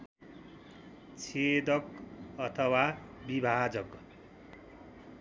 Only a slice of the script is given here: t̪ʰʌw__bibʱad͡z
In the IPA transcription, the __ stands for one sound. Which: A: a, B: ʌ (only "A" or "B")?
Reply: A